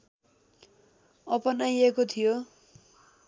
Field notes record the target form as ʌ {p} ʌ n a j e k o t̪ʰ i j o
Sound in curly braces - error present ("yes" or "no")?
no